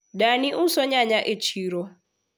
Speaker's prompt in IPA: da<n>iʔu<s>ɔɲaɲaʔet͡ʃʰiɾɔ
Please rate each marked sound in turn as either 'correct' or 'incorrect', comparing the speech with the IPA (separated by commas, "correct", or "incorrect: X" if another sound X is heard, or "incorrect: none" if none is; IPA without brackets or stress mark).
correct, correct